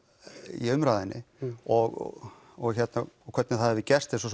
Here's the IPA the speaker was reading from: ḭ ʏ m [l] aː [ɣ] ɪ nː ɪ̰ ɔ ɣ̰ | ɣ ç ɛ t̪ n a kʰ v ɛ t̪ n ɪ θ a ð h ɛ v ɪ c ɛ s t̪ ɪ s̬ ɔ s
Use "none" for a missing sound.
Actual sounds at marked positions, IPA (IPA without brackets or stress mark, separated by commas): ɾ, ð